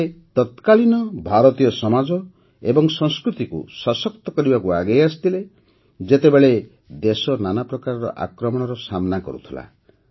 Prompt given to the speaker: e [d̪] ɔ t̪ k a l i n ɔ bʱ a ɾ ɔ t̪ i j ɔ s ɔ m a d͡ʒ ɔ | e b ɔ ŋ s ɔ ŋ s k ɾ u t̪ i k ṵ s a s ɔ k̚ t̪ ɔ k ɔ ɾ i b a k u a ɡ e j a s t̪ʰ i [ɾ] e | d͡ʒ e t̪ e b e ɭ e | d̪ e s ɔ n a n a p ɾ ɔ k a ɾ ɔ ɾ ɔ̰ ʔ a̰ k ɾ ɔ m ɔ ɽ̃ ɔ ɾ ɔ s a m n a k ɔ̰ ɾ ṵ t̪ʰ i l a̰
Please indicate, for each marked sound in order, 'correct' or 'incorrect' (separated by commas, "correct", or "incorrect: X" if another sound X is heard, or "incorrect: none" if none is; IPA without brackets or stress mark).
incorrect: t̪, incorrect: l